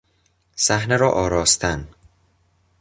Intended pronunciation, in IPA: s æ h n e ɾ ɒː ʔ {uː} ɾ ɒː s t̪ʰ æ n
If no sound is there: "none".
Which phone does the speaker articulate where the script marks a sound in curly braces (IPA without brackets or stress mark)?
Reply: ɒː